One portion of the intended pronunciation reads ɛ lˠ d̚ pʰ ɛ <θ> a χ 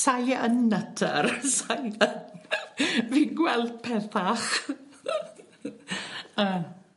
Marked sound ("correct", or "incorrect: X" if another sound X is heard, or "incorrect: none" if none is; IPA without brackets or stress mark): correct